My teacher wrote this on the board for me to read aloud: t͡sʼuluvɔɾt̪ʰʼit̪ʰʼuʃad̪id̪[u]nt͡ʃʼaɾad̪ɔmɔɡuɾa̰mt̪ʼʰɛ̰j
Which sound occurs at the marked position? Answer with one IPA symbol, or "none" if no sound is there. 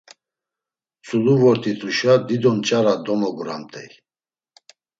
ɔ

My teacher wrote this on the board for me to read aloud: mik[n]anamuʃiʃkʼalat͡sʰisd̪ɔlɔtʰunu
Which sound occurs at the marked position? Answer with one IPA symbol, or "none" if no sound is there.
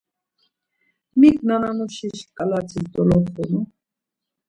n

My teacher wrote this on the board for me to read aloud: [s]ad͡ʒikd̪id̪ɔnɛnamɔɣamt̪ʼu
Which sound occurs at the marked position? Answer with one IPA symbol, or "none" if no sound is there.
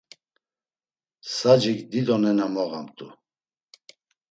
s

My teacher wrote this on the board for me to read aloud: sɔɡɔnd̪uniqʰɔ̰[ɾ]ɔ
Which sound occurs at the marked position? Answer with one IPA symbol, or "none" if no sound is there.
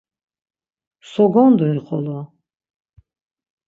l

